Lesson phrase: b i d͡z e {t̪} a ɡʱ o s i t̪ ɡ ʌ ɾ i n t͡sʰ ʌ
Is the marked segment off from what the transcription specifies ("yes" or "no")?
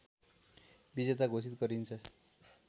no